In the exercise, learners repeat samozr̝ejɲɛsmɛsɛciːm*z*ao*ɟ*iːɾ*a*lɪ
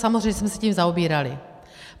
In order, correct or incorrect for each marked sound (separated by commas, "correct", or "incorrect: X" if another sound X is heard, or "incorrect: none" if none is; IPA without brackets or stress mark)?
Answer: correct, incorrect: b, correct